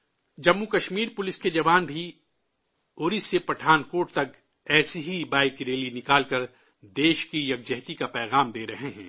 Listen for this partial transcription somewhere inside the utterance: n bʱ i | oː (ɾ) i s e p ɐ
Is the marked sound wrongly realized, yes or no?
no